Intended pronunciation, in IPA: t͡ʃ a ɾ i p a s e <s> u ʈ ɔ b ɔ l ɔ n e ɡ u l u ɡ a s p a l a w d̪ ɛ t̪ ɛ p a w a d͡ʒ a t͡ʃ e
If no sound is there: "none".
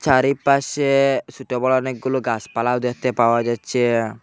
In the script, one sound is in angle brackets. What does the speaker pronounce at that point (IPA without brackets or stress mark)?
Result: s